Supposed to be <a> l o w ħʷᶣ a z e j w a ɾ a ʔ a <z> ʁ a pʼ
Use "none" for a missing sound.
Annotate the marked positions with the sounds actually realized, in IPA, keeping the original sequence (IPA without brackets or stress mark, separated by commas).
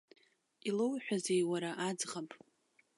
i, d͡z